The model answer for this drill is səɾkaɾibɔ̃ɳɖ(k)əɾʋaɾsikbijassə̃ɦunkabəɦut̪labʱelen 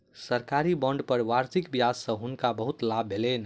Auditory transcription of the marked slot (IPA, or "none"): p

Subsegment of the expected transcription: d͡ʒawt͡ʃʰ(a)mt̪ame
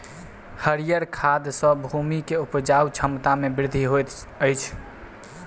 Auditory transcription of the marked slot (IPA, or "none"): ə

